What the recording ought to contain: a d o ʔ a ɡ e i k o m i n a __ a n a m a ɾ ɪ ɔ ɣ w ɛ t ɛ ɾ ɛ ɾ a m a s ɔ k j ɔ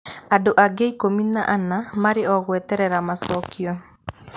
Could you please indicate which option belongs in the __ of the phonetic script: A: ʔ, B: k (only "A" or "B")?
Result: A